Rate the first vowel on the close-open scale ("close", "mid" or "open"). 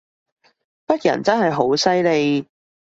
open